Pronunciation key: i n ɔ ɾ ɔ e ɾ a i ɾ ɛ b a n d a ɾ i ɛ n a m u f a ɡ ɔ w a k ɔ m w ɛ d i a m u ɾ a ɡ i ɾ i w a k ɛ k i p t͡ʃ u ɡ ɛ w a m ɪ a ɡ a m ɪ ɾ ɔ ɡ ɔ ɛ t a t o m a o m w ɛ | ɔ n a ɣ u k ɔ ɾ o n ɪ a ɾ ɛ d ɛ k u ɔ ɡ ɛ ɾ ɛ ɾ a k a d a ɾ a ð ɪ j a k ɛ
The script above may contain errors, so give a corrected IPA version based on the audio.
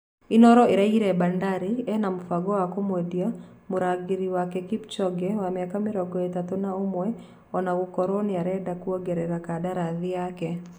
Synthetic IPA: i n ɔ ɾ ɔ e ɾ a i ɾ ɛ b a n d a ɾ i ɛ n a m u f a ɡ ɔ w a k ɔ m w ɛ d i a m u ɾ a ɡ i ɾ i w a k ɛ k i p t͡ʃ ɔ ɡ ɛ w a m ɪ a k a m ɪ ɾ ɔ ɡ ɔ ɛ t a t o n a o m w ɛ | ɔ n a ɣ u k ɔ ɾ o n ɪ a ɾ ɛ d a k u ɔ ɡ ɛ ɾ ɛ ɾ a k a d a ɾ a ð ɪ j a k ɛ